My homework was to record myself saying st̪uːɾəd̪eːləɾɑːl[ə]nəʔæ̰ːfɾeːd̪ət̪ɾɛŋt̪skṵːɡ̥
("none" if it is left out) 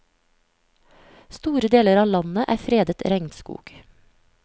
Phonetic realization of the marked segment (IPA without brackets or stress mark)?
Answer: ɑ